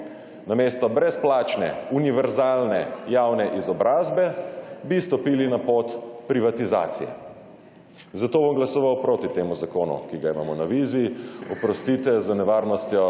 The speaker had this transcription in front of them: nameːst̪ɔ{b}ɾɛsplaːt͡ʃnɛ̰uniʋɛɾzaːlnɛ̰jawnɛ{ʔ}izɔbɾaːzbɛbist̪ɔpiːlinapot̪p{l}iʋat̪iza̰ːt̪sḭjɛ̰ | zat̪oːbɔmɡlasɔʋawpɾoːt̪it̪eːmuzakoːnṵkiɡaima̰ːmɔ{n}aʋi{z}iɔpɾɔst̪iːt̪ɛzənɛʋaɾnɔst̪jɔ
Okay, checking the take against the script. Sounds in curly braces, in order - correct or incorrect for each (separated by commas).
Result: correct, correct, incorrect, correct, correct